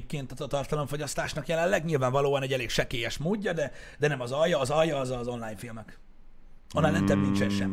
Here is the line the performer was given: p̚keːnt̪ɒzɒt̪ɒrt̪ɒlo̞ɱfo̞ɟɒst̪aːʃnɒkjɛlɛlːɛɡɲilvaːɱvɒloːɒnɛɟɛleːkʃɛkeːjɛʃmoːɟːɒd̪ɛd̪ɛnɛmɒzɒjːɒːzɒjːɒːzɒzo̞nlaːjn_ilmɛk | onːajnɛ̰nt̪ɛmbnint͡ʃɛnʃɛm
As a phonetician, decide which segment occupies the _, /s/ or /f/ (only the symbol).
f